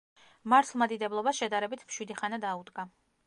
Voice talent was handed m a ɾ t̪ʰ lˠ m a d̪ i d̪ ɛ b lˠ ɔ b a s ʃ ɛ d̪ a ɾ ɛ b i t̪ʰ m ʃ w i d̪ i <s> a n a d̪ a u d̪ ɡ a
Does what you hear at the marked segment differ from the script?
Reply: yes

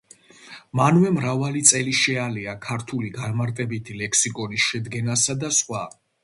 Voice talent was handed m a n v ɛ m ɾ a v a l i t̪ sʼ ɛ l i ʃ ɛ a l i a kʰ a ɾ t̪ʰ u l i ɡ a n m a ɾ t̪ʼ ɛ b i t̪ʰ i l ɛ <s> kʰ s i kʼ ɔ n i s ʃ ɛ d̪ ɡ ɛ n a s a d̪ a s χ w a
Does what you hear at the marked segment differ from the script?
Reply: yes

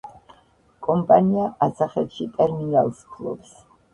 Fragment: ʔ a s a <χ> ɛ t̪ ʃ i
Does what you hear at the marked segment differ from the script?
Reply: no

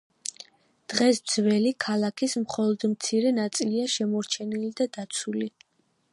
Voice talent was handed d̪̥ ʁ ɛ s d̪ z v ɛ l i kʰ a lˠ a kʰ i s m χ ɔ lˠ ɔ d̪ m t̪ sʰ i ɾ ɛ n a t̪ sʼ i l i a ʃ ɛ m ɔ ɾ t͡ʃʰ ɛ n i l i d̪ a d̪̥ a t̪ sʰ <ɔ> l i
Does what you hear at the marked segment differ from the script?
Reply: yes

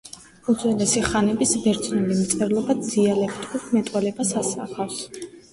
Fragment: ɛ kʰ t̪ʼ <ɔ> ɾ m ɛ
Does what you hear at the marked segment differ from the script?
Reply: yes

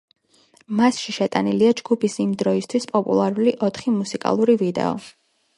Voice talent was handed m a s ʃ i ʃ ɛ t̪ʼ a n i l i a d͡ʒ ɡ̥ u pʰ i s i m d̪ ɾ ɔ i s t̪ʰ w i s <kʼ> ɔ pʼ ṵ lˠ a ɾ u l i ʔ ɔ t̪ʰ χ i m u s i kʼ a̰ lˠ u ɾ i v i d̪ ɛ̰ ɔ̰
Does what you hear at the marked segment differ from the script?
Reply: yes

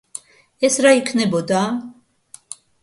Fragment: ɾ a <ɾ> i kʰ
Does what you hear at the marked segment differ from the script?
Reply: yes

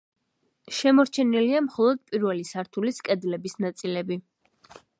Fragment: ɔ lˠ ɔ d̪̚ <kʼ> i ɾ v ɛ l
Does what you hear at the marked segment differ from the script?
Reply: yes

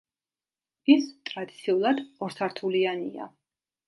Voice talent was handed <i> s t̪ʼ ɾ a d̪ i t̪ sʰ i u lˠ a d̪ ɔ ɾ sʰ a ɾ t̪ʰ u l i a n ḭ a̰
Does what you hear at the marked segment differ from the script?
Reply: no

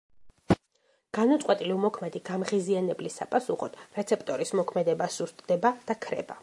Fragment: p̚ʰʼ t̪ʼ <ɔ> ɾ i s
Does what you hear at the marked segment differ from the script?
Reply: no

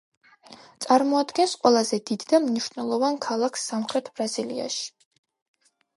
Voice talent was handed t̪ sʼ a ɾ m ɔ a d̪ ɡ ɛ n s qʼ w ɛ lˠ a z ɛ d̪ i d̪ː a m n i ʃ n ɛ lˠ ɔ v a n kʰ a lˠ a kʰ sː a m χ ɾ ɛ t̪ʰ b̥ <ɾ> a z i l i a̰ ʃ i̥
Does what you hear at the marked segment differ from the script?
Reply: no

